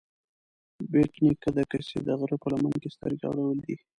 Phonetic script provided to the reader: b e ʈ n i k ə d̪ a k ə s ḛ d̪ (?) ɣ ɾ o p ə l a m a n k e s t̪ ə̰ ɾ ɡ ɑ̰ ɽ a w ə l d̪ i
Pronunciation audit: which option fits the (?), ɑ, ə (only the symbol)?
ə